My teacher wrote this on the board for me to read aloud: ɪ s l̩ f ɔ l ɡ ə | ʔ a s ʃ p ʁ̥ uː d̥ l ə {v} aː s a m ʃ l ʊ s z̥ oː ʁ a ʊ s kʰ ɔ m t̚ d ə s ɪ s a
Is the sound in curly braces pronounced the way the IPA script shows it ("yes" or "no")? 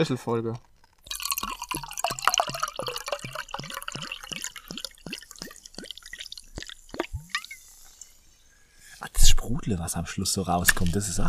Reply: yes